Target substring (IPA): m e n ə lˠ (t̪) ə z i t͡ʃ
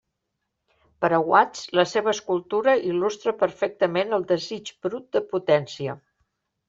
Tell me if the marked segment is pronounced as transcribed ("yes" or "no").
no